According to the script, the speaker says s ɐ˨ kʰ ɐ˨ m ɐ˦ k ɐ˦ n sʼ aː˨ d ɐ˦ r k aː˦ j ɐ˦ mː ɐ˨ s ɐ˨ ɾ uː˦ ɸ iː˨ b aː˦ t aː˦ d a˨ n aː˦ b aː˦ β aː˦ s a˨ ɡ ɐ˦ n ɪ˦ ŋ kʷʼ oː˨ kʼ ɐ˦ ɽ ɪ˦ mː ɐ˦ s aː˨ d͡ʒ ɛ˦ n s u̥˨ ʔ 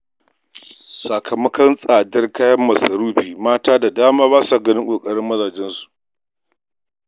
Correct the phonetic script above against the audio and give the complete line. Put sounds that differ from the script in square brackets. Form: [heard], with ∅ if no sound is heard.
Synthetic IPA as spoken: s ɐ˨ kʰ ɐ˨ m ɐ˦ k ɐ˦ n sʼ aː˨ d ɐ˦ r k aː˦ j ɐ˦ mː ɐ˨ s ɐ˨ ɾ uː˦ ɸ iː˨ [m] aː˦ t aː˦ d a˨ [d] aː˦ [m] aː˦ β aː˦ s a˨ ɡ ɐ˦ n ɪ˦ ŋ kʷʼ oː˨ kʼ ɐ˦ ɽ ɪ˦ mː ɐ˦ [z] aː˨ d͡ʒ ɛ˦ n s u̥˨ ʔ